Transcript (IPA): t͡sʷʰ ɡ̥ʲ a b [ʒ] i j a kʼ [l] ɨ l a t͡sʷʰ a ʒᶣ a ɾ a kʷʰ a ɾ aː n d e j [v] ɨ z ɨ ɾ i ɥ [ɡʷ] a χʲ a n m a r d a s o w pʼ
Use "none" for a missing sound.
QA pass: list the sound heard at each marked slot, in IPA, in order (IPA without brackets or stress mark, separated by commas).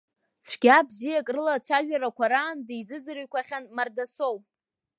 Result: z, r, z, kʷ